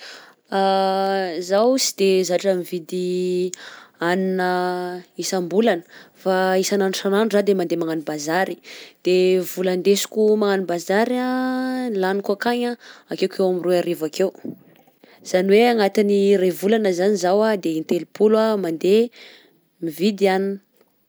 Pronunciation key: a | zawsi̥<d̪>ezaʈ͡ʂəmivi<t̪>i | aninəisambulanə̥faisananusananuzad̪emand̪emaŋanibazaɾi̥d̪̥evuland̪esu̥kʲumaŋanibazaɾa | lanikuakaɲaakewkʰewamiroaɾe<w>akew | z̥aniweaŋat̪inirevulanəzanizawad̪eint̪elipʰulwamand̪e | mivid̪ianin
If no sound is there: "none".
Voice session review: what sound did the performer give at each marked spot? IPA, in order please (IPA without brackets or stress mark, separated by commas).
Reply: d̪, d̪, v